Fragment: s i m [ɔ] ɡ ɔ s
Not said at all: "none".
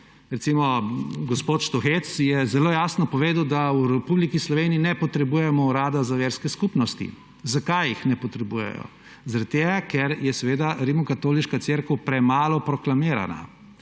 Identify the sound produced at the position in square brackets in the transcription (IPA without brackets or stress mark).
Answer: ɔ